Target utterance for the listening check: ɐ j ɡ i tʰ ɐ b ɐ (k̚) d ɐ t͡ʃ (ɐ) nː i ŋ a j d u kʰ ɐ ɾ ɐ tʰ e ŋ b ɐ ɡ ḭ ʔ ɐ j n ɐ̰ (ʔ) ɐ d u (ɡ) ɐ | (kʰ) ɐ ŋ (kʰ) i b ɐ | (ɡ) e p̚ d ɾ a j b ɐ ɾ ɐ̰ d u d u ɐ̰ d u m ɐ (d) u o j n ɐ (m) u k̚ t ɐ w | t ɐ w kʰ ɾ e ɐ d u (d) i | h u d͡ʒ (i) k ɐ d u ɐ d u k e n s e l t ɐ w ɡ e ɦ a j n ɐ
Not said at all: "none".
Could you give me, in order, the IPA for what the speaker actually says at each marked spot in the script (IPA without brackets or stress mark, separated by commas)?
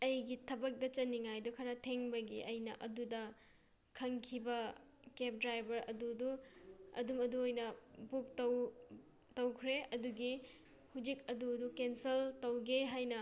k̚, ɐ, ʔ, d, kʰ, kʰ, k, d, b, ɡ, i